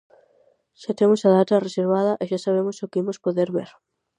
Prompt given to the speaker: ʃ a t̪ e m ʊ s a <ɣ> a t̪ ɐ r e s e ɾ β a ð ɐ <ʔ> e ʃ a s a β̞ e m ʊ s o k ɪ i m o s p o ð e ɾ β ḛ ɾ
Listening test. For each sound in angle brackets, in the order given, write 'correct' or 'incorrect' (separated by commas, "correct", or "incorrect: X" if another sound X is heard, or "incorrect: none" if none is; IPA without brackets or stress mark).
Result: incorrect: ð, correct